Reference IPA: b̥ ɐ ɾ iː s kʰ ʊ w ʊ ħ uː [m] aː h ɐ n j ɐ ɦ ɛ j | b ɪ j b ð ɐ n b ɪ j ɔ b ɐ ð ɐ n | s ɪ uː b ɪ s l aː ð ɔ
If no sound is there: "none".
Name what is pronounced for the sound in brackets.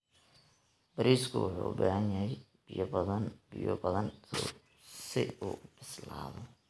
b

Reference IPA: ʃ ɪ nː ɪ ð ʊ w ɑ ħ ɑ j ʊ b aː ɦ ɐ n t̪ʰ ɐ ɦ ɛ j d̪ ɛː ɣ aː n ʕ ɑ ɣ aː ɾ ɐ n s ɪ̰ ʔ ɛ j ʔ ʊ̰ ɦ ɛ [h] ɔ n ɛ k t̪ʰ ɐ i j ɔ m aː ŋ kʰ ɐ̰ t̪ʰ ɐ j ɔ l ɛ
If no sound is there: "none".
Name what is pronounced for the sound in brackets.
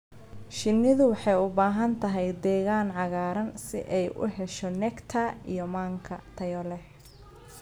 ʃ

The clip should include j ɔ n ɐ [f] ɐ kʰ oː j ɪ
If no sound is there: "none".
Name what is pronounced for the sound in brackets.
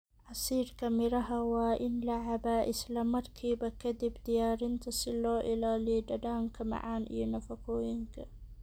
f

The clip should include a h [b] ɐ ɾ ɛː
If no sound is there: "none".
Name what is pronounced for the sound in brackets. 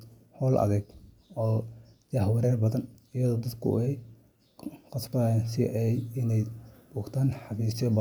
w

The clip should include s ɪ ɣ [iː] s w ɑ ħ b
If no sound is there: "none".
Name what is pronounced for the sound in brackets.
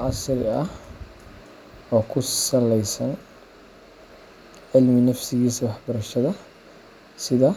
iː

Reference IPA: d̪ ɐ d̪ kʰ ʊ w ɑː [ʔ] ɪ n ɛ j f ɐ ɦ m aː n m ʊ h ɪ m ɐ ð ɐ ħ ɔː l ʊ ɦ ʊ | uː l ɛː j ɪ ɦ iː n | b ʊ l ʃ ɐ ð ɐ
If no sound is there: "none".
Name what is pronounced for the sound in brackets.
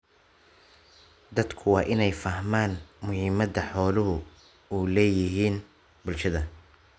ʔ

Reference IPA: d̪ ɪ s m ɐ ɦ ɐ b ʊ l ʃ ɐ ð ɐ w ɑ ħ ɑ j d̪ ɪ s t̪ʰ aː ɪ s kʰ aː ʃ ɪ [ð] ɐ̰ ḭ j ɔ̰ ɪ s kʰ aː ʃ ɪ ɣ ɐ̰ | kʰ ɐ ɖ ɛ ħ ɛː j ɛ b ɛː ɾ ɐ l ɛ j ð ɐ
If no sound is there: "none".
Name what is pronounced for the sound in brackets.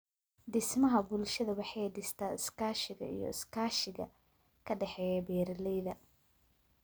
ɣ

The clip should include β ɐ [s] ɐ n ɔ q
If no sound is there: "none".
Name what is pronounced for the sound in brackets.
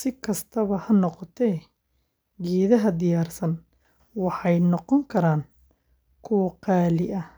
h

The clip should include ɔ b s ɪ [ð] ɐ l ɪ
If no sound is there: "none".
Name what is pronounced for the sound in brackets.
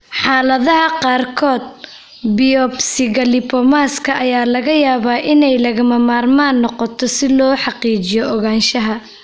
ɣ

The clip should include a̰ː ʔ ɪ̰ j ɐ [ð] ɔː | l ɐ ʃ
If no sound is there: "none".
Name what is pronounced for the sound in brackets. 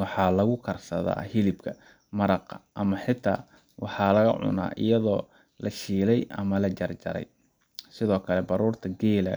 ð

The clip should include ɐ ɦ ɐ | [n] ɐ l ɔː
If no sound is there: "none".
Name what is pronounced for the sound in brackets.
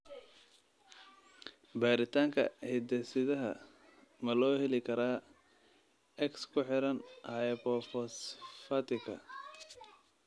m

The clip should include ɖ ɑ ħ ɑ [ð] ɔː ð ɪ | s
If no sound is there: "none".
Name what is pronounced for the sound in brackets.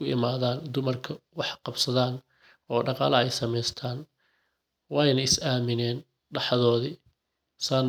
ð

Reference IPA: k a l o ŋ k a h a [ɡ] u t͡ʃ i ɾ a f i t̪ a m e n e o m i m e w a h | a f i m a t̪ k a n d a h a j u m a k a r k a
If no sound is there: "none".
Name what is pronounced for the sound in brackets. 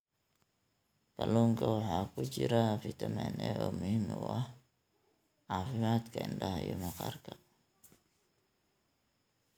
k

